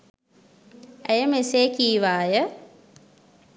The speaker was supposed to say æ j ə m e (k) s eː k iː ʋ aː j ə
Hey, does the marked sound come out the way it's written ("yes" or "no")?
no